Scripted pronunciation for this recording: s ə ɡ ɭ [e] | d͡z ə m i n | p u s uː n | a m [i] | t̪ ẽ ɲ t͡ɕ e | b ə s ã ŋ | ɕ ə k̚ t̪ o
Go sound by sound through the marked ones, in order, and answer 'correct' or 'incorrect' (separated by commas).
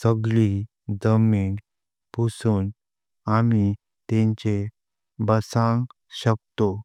incorrect, correct